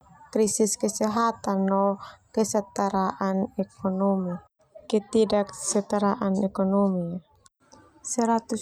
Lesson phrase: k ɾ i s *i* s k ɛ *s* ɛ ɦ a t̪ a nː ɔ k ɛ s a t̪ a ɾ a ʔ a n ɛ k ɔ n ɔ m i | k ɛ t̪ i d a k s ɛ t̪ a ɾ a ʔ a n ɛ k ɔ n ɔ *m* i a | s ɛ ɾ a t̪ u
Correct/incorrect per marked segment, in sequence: correct, correct, correct

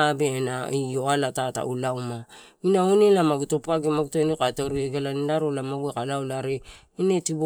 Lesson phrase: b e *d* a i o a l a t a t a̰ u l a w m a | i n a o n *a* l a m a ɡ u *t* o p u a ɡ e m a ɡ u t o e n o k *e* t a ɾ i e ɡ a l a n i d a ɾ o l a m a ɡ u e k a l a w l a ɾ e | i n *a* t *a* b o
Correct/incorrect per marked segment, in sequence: incorrect, incorrect, correct, incorrect, incorrect, incorrect

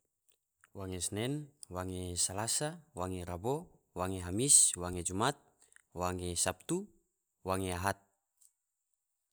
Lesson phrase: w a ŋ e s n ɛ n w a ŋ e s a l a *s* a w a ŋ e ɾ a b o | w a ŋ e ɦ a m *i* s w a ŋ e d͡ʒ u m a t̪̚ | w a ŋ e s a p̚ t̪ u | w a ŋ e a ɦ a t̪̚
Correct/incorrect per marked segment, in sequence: correct, correct

